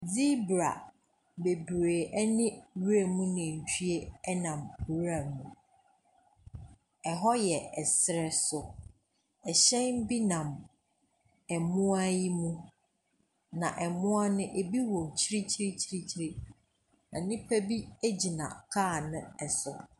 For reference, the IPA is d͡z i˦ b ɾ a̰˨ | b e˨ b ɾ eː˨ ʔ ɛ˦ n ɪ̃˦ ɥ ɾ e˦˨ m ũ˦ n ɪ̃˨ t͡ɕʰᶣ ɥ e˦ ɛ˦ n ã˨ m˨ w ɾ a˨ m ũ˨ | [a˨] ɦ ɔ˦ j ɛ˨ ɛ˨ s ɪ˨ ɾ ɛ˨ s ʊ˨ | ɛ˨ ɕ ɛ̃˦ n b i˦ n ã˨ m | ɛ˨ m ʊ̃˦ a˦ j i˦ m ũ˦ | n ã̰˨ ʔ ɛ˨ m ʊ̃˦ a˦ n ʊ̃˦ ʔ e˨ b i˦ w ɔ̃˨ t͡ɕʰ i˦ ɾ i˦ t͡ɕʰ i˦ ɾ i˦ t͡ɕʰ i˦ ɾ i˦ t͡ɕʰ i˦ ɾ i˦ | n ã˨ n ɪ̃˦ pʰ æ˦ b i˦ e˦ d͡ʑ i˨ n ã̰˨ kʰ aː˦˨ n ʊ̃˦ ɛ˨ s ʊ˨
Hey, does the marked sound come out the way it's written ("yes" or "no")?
no